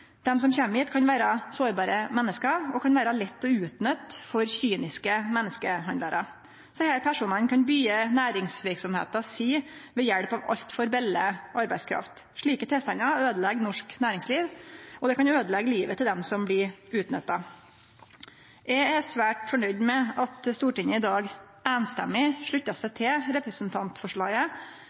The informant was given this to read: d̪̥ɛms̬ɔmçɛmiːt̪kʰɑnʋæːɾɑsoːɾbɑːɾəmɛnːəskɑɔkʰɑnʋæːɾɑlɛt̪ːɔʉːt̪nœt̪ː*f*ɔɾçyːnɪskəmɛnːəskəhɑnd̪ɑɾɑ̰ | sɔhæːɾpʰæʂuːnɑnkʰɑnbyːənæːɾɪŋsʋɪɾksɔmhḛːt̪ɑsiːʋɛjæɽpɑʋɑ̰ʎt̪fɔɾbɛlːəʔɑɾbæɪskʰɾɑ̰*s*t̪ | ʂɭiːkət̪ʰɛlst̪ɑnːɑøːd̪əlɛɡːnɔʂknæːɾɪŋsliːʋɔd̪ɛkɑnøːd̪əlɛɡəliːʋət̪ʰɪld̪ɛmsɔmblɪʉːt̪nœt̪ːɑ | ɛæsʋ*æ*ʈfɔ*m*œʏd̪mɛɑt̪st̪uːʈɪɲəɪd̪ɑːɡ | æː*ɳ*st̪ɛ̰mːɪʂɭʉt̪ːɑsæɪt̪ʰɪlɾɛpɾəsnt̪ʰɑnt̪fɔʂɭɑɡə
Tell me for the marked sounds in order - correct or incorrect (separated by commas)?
correct, incorrect, incorrect, incorrect, incorrect